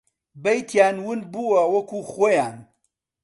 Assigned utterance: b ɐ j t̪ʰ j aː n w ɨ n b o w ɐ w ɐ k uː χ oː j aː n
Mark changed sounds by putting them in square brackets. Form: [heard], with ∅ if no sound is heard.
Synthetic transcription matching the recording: b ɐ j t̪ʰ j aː n w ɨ n b [u] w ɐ w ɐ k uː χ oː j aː n